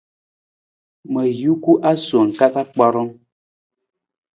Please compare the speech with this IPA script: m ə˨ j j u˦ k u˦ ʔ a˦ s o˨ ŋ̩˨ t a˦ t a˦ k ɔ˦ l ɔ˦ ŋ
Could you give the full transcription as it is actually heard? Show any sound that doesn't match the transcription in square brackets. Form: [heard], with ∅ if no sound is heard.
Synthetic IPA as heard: m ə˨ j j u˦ k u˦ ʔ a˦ s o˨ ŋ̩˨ [k] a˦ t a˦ [k͡p] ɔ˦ [ɾ] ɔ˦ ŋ